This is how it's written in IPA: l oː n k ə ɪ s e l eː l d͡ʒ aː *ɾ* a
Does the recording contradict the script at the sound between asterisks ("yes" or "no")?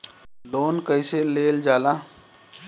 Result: yes